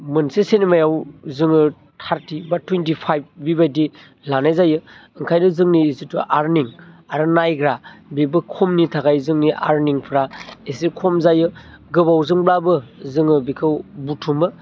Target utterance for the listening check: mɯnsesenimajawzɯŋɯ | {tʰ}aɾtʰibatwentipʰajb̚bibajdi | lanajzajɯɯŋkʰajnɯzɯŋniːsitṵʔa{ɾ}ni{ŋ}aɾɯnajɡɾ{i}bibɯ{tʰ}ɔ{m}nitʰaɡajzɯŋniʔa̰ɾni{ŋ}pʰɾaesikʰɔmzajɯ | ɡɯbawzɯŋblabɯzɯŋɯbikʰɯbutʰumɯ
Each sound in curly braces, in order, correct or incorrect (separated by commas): correct, correct, correct, incorrect, incorrect, correct, correct